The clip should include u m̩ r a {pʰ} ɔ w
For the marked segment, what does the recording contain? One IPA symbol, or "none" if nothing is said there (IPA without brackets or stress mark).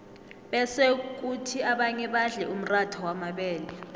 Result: tʰ